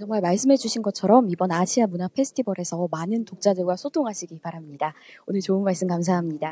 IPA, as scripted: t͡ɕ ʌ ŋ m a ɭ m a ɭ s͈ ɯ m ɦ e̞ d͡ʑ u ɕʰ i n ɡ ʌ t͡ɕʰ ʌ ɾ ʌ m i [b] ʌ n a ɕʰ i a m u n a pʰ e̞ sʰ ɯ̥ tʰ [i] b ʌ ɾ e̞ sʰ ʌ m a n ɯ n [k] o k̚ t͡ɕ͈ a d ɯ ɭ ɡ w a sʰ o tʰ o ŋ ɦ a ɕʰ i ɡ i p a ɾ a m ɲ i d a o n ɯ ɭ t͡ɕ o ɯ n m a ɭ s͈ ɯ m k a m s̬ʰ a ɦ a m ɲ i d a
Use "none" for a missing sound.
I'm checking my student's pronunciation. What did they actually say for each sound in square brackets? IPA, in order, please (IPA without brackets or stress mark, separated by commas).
b, i, t